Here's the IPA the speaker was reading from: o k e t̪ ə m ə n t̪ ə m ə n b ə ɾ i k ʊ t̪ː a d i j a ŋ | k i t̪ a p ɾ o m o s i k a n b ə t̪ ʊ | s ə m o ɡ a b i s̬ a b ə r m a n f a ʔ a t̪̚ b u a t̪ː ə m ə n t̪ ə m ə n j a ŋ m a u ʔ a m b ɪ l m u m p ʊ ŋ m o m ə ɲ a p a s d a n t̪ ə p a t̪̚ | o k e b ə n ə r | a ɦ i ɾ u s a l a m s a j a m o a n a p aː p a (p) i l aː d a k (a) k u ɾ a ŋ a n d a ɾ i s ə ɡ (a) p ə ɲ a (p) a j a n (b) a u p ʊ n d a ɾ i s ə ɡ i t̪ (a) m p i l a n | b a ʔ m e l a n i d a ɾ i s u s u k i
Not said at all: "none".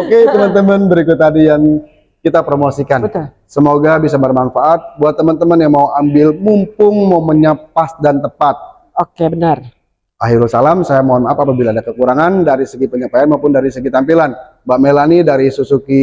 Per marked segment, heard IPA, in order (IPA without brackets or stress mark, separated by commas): b, ə, i, p, m, a